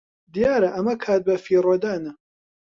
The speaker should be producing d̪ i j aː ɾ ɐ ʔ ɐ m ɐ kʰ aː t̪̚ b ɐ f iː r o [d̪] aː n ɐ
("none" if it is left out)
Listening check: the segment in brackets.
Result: d̪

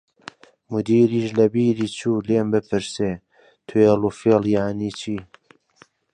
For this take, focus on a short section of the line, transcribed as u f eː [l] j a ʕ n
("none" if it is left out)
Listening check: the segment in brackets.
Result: l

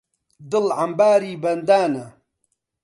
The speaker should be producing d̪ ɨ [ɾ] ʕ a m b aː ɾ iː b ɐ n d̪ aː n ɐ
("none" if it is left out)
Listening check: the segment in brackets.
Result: l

